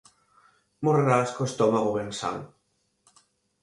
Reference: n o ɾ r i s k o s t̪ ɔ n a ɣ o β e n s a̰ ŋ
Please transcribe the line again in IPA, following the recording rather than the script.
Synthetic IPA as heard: m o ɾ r a s k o s t̪ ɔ m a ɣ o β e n s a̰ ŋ